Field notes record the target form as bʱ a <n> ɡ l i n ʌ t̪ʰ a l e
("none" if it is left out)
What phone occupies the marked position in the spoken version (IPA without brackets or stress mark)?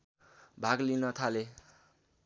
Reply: none